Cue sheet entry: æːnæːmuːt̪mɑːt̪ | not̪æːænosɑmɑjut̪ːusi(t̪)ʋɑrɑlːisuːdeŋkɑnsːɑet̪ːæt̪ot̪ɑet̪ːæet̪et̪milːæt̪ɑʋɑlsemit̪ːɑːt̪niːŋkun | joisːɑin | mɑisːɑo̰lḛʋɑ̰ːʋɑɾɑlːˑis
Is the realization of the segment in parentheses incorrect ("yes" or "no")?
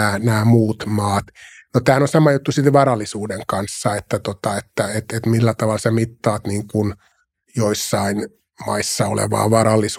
no